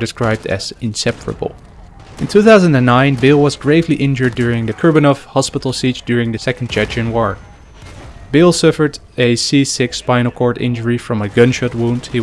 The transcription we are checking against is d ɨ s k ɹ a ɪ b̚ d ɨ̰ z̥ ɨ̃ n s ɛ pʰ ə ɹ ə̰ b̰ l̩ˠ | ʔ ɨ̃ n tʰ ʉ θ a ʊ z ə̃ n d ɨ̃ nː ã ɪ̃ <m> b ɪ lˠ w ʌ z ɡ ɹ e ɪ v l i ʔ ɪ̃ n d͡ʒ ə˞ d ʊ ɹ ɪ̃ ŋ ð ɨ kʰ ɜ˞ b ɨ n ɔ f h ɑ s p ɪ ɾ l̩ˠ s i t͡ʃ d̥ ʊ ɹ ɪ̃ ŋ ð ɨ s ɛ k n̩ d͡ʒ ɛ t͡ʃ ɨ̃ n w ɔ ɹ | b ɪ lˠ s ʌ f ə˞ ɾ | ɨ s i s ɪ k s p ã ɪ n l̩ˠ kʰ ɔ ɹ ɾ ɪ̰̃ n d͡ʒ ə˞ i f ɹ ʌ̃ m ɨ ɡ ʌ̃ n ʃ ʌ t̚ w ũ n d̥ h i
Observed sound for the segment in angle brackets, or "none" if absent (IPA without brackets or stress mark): n